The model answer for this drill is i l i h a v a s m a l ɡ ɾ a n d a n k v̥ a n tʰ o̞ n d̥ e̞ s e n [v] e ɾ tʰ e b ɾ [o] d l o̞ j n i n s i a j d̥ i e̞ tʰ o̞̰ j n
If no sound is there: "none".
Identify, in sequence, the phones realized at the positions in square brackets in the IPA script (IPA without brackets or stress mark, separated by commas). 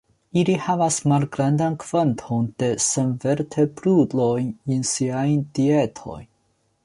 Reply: v, u